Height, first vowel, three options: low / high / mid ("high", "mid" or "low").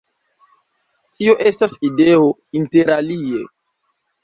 high